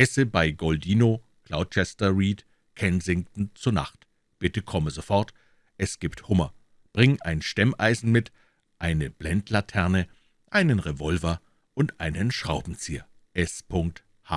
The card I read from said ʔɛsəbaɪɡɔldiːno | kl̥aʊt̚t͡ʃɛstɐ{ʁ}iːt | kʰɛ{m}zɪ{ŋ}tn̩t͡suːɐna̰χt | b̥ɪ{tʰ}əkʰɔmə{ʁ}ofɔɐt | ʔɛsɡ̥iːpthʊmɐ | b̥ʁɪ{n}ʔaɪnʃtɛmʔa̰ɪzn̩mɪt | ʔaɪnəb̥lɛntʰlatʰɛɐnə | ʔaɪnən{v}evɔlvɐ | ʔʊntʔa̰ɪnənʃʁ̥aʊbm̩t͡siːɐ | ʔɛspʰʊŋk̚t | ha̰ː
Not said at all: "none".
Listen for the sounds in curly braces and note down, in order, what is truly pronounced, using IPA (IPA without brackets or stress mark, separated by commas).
ʁ, n, ŋ, t, z, ŋ, ʁ